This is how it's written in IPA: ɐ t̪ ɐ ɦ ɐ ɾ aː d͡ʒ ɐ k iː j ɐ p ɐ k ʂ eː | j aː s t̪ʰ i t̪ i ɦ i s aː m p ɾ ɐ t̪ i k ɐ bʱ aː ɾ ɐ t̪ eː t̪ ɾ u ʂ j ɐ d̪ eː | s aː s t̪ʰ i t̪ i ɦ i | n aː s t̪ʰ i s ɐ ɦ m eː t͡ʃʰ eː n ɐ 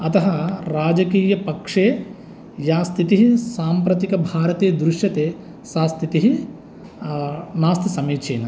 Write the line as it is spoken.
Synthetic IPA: ɐ t̪ ɐ ɦ ɐ ɾ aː d͡ʒ ɐ k iː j ɐ p ɐ k ʂ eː | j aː s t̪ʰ i t̪ i ɦ i s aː m p ɾ ɐ t̪ i k ɐ bʱ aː ɾ ɐ t̪ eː d̪ ɾ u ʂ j ɐ t̪ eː | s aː s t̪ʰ i t̪ i ɦ i | n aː s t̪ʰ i s ɐ m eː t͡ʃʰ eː n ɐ